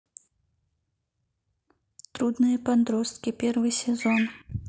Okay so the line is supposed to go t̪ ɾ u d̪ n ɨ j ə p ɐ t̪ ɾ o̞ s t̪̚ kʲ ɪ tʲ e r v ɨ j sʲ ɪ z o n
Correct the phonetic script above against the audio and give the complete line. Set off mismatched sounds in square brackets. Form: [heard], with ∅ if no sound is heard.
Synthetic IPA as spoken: t̪ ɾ u d̪ n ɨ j ə p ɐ [d̪] ɾ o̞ s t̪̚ kʲ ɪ [pʲ] e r v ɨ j sʲ ɪ z o n